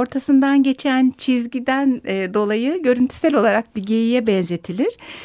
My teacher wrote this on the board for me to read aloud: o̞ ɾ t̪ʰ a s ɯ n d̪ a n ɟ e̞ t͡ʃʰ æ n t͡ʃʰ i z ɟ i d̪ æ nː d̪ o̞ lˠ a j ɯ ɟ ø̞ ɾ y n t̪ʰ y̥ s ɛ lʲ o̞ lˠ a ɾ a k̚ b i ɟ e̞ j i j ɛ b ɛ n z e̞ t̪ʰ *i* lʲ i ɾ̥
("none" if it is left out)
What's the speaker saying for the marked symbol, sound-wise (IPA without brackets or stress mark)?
i